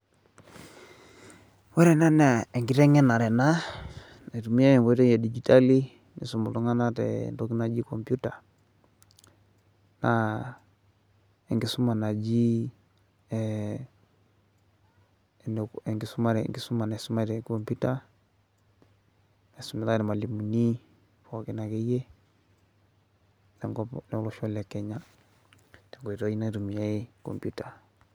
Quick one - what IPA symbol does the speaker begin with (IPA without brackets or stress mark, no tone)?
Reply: w